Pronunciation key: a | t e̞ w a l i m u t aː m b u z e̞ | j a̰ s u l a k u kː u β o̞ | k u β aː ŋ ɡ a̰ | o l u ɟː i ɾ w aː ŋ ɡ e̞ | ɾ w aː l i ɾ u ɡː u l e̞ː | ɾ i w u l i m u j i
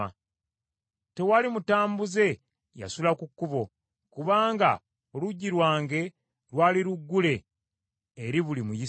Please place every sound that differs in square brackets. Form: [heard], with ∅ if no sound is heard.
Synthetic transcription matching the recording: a | t e̞ w a l i m u t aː m b u z e̞ | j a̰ s u l a k u kː u β o̞ | k u β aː ŋ ɡ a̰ | o l u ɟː i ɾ w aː ŋ ɡ e̞ | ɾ w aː l i ɾ u ɡː u l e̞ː | ɾ i [β] u l i m u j i